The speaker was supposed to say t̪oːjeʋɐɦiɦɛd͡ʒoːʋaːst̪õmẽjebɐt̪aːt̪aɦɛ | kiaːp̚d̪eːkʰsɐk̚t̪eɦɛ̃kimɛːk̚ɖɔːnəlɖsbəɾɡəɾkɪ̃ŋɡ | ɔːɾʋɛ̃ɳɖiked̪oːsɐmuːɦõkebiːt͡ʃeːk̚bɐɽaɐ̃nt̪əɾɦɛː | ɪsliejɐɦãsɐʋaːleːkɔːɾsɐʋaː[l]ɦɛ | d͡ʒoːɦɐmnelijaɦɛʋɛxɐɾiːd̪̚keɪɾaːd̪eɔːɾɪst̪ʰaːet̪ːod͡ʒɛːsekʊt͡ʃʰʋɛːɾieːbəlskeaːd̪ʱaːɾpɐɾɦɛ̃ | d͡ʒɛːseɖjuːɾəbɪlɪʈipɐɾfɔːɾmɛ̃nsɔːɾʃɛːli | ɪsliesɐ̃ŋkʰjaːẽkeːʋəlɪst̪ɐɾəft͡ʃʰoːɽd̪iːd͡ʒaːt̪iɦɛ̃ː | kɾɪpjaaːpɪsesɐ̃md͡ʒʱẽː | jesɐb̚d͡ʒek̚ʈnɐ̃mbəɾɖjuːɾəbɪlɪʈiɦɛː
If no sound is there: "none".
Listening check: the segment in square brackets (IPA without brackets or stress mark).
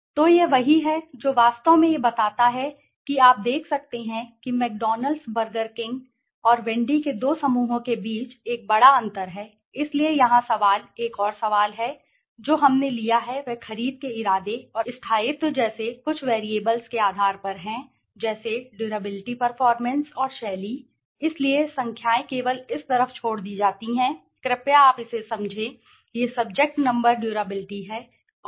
l